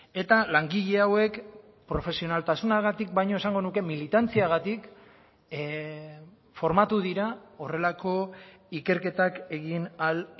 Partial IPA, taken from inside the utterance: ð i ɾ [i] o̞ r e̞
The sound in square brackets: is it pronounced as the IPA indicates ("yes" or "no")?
no